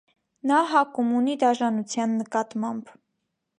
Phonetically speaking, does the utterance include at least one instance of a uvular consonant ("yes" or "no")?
no